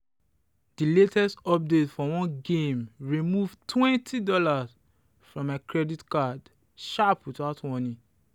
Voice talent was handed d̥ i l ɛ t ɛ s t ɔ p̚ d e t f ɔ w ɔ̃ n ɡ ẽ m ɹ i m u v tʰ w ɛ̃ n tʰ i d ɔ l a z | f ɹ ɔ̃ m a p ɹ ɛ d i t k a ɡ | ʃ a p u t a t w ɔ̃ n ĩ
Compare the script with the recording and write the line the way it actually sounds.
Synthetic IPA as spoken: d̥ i l e t ɛ s t ɔ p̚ d e t f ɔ w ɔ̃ n ɡ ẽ m ɹ i m u v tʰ w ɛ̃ n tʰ i d ɔ l a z | f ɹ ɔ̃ m a k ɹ ɛ d i t k a d | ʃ a p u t a t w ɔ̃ n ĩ